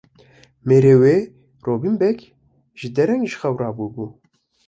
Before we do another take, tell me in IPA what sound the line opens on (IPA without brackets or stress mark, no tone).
m